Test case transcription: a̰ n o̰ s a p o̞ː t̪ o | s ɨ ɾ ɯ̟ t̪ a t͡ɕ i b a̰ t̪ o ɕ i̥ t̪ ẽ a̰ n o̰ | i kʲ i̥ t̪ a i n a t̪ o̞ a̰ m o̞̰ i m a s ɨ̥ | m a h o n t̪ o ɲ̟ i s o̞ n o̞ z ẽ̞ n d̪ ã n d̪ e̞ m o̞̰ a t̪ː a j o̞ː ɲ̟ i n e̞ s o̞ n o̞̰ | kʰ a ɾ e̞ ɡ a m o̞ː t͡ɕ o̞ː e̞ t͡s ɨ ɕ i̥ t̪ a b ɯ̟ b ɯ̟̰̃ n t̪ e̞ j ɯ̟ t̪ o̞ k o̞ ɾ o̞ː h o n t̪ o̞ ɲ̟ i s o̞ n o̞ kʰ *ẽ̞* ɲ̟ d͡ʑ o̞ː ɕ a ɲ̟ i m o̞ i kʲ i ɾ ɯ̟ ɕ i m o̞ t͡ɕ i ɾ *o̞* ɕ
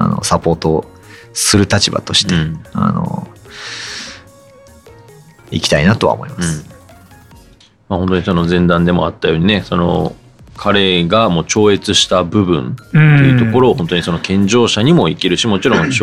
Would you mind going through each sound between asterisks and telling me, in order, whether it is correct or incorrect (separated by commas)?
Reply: correct, incorrect